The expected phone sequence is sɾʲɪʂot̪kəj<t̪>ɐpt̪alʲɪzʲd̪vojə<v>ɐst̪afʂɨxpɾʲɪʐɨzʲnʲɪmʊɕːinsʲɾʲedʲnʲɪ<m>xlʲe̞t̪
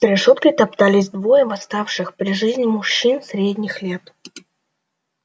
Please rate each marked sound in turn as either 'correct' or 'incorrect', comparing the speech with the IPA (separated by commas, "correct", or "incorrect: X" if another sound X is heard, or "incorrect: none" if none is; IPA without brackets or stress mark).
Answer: correct, correct, incorrect: none